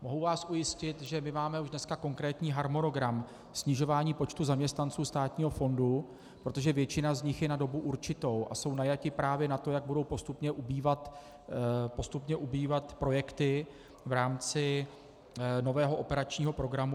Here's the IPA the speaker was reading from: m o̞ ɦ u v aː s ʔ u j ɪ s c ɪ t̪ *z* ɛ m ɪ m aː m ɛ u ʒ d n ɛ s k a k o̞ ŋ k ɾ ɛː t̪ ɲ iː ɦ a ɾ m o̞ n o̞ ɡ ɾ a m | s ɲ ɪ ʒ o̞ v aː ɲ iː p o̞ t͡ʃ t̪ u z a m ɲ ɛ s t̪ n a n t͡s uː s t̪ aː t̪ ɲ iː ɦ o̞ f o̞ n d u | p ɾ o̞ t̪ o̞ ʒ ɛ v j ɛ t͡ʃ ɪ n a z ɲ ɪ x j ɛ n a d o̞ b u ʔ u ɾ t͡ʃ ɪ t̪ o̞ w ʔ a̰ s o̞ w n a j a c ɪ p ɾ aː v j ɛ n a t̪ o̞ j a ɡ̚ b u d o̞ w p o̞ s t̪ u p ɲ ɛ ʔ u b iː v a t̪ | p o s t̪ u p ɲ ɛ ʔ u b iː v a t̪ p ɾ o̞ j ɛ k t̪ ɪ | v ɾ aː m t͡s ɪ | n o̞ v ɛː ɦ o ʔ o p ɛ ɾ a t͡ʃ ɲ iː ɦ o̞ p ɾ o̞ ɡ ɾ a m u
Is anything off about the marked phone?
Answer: yes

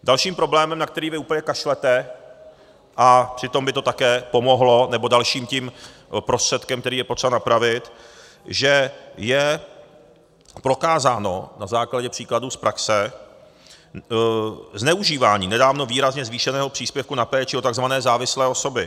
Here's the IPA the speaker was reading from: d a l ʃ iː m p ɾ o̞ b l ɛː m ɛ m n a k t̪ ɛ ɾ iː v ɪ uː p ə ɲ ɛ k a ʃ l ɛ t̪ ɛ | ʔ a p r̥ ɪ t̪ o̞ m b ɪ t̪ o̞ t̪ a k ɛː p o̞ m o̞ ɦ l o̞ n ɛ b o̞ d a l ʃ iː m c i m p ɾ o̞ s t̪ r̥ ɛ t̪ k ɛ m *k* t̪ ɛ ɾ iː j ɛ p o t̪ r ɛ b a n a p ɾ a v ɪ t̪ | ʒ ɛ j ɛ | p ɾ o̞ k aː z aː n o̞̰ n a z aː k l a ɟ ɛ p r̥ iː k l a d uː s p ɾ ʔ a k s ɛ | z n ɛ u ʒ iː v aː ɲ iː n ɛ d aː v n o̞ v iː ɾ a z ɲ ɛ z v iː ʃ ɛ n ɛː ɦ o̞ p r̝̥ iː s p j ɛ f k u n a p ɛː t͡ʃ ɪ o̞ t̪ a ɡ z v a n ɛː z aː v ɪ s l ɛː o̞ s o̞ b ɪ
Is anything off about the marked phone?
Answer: no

